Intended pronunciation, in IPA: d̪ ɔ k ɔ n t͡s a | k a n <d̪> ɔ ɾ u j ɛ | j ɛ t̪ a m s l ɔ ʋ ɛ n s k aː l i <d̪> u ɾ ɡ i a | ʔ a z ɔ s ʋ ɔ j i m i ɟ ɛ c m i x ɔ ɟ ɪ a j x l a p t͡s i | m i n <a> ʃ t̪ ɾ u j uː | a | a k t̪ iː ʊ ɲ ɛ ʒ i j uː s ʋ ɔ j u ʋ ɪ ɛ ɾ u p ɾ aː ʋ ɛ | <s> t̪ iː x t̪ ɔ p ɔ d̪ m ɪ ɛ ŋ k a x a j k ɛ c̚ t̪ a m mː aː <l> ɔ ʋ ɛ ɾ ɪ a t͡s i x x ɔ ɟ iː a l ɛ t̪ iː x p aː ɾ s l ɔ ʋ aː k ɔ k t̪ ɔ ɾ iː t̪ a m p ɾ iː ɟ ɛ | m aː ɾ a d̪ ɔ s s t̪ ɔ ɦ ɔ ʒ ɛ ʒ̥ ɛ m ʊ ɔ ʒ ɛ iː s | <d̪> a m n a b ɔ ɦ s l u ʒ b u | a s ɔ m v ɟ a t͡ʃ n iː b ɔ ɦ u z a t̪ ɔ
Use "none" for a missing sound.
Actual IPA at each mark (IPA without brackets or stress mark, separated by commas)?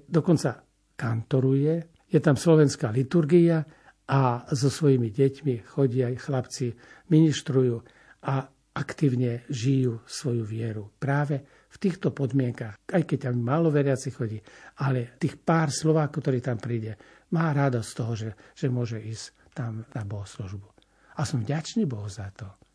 t̪, t̪, i, f, l, t̪